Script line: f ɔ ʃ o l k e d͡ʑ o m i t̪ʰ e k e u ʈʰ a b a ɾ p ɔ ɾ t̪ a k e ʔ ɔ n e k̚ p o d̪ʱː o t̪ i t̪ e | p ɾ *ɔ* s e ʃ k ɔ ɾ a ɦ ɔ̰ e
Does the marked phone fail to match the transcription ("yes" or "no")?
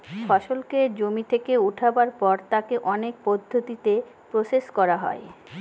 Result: yes